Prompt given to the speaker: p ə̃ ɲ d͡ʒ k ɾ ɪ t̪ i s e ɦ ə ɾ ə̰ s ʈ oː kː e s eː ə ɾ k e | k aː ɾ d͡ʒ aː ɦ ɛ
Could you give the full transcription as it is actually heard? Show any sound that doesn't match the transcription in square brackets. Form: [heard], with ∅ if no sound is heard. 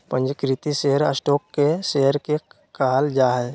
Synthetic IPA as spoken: p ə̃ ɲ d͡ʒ k ɾ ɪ t̪ i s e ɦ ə ɾ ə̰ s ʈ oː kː e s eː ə ɾ k e | k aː [l] d͡ʒ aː ɦ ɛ

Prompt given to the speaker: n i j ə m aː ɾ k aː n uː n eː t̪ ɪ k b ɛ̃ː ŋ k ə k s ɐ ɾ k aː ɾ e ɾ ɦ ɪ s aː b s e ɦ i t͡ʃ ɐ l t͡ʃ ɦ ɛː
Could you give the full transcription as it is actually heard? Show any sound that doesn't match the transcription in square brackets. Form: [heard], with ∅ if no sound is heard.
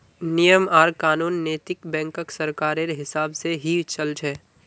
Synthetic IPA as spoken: n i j ə m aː ɾ k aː n uː [nː] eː t̪ ɪ k b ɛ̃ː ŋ k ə k s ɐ ɾ k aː ɾ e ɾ ɦ ɪ s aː b s e ɦ i t͡ʃ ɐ l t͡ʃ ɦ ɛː

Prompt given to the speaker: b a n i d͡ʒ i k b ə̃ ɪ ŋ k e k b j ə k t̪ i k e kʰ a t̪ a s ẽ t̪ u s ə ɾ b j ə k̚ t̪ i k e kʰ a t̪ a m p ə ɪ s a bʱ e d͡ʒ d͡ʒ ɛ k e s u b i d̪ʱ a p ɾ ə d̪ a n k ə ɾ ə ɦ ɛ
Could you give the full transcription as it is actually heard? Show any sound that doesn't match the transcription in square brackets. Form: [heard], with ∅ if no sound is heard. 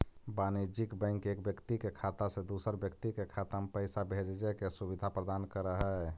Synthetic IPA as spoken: b a n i d͡ʒ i k b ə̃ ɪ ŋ k e k b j ə k t̪ i k e kʰ a t̪ a s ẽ [d̪] u s ə ɾ b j ə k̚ t̪ i k e kʰ a t̪ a m p ə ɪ s a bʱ e d͡ʒ d͡ʒ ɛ k e s u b i d̪ʱ a p ɾ ə d̪ a n k ə ɾ ə ɦ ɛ

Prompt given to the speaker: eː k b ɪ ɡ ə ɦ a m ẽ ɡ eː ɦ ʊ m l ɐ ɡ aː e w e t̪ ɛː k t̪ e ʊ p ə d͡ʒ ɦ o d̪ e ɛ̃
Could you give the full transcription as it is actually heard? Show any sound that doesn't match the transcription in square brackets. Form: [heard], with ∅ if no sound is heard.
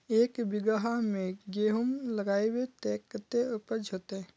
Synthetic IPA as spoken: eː k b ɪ ɡ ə ɦ a m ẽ ɡ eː ɦ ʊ m l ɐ ɡ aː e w e t̪ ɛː k t̪ e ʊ p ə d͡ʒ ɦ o [t̪] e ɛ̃

